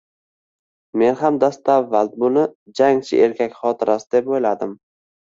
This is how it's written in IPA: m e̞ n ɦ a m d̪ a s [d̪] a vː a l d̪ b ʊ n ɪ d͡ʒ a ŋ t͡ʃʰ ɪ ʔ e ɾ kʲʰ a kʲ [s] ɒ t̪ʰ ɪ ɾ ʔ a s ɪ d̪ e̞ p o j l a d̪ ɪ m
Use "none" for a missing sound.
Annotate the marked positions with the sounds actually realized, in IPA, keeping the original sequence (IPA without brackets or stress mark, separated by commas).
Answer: t̪, χ